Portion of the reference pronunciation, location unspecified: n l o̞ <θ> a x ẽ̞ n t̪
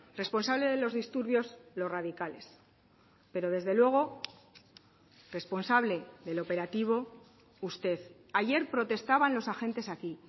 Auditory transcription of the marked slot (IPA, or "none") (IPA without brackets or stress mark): s